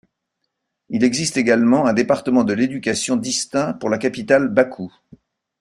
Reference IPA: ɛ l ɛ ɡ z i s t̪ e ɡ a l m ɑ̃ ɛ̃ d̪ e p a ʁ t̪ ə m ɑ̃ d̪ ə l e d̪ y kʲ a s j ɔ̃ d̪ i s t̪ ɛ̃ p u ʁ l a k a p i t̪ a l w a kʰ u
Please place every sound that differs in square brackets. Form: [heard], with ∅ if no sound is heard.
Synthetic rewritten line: [i] l ɛ ɡ z i s t̪ e ɡ a l m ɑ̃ ɛ̃ d̪ e p a ʁ t̪ ə m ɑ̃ d̪ ə l e d̪ y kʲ a s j ɔ̃ d̪ i s t̪ ɛ̃ p u ʁ l a k a p i t̪ a l [b] a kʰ u